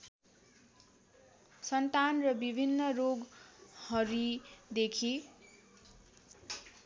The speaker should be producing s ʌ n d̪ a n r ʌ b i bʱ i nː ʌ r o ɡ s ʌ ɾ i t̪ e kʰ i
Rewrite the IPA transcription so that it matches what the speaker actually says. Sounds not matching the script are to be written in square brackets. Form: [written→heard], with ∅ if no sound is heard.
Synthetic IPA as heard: s ʌ n [d̪→t̪] a n r ʌ b i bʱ i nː ʌ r o ɡ [s→h] ʌ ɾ i [t̪→d̪] e kʰ i